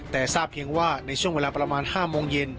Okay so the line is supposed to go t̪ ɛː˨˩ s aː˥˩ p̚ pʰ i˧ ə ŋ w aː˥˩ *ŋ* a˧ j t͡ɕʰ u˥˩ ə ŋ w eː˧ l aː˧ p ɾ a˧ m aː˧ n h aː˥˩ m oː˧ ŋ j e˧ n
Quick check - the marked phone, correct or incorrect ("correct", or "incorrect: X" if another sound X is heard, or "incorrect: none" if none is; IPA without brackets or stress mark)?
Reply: incorrect: n